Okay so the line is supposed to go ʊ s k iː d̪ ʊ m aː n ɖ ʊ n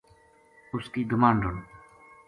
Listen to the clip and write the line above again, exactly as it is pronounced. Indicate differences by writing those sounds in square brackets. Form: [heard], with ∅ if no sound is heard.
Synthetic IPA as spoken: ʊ s k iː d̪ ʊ m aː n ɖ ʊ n